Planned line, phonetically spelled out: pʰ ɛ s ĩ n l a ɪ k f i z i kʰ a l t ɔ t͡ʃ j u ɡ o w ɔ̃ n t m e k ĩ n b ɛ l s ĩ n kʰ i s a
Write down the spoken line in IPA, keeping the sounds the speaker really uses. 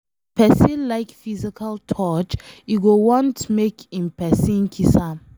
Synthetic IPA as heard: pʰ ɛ s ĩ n l a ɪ k f i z i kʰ a l tʰ ɔ t͡ʃ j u ɡ o w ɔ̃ n t m e k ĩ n p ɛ s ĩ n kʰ i s a